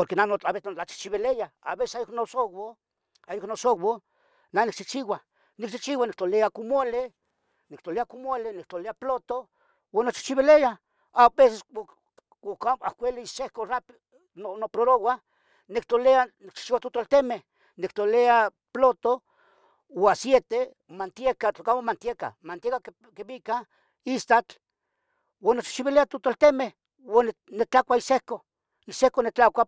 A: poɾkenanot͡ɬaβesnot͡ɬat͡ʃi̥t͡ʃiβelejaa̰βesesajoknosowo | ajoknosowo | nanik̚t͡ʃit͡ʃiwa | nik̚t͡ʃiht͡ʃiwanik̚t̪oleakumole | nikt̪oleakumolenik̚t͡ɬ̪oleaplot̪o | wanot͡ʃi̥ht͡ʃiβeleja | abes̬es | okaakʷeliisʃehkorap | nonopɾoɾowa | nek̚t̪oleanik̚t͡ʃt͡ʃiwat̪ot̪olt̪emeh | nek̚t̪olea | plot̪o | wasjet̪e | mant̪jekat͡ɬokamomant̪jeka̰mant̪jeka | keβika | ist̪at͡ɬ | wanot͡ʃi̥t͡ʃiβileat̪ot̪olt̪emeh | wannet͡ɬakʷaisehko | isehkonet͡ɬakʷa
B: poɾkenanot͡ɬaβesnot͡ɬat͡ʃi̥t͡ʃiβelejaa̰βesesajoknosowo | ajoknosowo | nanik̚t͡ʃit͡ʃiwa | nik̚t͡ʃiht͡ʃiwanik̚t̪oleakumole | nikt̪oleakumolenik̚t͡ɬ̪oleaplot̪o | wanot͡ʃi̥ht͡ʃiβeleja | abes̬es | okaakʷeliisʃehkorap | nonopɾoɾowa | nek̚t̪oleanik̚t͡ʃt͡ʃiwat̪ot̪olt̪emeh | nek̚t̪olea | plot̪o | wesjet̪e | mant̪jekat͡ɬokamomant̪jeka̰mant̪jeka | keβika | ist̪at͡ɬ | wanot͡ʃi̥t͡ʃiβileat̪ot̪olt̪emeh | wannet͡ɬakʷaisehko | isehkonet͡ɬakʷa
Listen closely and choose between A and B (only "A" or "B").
A